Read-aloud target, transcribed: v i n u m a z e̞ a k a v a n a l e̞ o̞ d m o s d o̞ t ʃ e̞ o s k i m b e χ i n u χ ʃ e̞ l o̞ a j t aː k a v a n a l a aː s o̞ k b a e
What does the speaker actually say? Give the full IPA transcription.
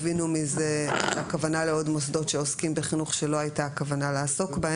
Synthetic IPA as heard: v i n u m i z e̞ a k a v a n a l e̞ o̞ d m o s d o̞ t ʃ e̞ o s k i m b e χ i n u χ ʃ e̞ l o̞ a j t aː k a v a n a l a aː s o̞ k b a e